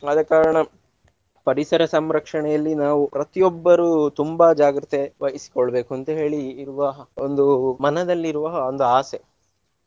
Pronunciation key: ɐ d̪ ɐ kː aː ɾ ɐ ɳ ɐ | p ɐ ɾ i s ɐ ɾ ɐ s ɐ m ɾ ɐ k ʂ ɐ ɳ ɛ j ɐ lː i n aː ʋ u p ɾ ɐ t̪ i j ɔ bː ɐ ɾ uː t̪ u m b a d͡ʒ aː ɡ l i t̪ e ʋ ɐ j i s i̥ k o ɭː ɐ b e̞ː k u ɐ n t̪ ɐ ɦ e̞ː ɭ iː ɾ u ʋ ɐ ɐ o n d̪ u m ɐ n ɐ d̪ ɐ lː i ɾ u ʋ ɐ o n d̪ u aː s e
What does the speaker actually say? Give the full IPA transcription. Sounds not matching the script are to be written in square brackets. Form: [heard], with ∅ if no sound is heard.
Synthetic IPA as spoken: ɐ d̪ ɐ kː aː ɾ ɐ ɳ ɐ | p ɐ ɾ i s ɐ ɾ ɐ s ɐ m ɾ ɐ k ʂ ɐ ɳ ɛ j ɐ lː i n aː ʋ u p ɾ ɐ t̪ i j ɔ bː ɐ ɾ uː t̪ u m b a d͡ʒ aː ɡ [ɾ] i t̪ e ʋ ɐ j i s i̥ k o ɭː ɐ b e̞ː k u ɐ n t̪ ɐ ɦ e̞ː ɭ iː ɾ u ʋ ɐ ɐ o n d̪ u m ɐ n ɐ d̪ ɐ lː i ɾ u ʋ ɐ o n d̪ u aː s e